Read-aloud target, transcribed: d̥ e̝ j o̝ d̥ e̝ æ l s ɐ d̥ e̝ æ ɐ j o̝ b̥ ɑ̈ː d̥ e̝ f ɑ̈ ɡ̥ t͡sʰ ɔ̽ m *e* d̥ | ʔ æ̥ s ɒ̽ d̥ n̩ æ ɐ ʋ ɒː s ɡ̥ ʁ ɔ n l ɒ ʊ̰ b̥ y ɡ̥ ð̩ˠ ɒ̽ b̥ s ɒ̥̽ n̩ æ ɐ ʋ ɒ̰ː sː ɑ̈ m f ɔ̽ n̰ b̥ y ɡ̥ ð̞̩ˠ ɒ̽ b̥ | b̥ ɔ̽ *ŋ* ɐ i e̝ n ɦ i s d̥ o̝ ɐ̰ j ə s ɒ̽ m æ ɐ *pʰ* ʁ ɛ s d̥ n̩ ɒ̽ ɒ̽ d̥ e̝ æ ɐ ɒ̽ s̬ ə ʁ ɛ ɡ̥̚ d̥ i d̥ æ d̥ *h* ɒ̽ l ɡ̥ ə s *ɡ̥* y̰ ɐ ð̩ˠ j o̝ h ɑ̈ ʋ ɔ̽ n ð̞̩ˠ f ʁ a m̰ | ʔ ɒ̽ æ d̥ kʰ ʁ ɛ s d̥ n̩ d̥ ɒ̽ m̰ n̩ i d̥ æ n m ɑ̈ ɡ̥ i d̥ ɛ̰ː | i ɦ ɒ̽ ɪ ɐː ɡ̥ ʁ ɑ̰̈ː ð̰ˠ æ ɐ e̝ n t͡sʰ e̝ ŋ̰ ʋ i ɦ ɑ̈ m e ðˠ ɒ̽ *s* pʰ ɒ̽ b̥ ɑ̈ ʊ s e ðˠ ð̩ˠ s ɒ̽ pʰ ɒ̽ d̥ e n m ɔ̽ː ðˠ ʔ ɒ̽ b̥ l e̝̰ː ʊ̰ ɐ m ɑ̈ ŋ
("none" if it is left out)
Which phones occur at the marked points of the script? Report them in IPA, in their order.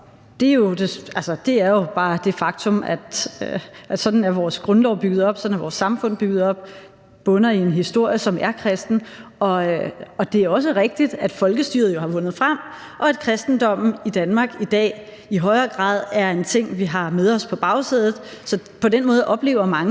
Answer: æ, n, kʰ, f, d̥, s

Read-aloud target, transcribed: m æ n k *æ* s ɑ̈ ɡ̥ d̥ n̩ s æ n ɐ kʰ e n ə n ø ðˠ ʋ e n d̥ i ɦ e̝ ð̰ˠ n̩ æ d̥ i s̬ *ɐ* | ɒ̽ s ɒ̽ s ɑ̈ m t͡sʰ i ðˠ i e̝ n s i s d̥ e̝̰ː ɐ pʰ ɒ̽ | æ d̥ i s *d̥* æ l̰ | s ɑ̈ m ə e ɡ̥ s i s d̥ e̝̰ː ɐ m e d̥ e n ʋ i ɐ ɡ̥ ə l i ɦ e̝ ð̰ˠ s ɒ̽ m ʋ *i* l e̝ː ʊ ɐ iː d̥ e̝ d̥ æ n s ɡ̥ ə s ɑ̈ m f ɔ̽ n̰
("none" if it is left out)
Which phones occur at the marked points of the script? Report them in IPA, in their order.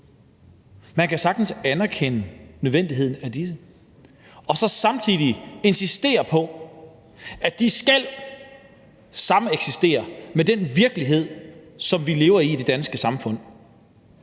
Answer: æ, ə, ɡ̥, i

